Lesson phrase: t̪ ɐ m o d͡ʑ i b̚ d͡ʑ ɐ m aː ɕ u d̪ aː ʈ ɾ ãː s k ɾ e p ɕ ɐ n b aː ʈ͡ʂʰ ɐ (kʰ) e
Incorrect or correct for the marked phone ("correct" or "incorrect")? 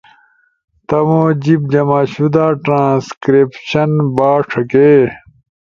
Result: incorrect